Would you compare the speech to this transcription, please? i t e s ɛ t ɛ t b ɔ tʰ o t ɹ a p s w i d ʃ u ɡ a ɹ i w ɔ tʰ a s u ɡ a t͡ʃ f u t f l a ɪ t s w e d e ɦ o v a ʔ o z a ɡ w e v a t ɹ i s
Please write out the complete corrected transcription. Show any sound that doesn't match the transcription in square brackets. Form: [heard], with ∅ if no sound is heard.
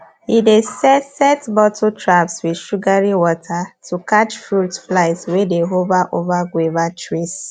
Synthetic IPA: i [d] e s ɛ [s] ɛ t b ɔ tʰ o t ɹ a p s w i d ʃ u ɡ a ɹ i w ɔ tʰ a [t] u [k] a t͡ʃ f u t f l a ɪ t s w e d e ɦ o v a ʔ o [v] a ɡ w e v a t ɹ i s

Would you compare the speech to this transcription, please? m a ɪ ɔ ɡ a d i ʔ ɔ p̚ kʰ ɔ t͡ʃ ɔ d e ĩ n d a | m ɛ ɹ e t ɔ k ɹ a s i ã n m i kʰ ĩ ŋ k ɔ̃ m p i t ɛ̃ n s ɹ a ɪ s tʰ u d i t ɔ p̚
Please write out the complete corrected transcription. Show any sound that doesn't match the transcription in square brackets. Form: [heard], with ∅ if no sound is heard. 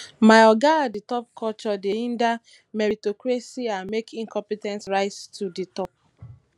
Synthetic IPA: m a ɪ ɔ ɡ a d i [t] ɔ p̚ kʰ ɔ t͡ʃ ɔ d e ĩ n d a | m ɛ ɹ [i] t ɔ k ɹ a s i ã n m [e] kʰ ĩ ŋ k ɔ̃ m p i t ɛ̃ n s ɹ a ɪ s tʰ u d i t ɔ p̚

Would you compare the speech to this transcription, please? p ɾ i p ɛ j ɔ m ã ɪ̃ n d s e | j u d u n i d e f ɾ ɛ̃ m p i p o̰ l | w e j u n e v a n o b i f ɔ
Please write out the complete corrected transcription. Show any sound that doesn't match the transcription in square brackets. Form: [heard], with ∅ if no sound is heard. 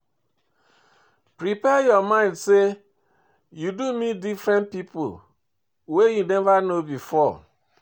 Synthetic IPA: p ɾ i p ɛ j ɔ m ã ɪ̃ n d s e | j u d u [m] i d [i] f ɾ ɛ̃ [n] p i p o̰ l | w e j u n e v a n o b i f ɔ

